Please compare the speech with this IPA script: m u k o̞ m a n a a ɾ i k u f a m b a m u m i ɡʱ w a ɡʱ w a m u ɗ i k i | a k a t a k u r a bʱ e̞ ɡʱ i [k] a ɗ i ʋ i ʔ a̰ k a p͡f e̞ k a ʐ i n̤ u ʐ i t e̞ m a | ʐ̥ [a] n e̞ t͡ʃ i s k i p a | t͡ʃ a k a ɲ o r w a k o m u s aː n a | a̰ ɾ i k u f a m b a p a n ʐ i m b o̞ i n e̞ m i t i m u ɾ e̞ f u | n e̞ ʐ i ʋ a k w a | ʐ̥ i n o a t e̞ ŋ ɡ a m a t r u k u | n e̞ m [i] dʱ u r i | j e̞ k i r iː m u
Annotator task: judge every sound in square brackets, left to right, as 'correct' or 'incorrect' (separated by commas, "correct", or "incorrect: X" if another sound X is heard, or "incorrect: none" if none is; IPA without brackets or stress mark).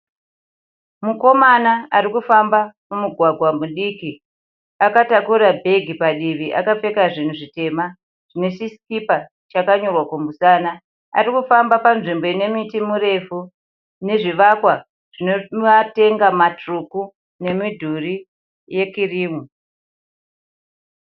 incorrect: p, incorrect: i, correct